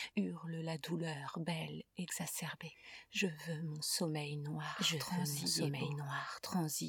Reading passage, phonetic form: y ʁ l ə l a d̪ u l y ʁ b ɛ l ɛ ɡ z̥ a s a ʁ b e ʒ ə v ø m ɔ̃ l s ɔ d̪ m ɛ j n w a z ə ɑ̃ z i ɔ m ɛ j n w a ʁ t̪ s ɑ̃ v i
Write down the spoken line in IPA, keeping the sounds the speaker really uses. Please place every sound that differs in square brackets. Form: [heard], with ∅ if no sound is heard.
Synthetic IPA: y ʁ l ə l a d̪ u l [œ] ʁ b ɛ l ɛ ɡ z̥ a s [ɛ] ʁ b e ʒ ə v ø m ɔ̃ [∅] s ɔ [∅] m ɛ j n w a [ʒ] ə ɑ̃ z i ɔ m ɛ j n w a ʁ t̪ [χ] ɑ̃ [z] i